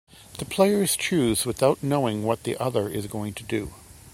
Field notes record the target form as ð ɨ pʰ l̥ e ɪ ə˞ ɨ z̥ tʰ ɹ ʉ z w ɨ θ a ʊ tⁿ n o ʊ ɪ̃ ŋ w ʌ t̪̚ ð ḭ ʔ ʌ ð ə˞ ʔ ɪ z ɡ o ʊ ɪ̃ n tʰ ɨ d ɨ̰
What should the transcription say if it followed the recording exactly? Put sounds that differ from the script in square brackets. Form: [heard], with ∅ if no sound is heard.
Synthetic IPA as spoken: ð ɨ pʰ l̥ e ɪ ə˞ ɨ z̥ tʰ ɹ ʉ z w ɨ θ a ʊ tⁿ n o ʊ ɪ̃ ŋ w ʌ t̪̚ ð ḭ ʔ ʌ ð ə˞ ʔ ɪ z ɡ o ʊ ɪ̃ [ŋ] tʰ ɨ d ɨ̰